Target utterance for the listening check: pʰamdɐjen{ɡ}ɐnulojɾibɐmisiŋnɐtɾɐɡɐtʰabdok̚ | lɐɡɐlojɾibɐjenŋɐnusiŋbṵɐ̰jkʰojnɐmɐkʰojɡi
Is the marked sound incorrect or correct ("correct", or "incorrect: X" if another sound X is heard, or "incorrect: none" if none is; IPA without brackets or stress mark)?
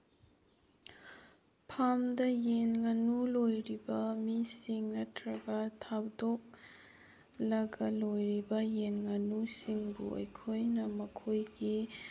incorrect: ŋ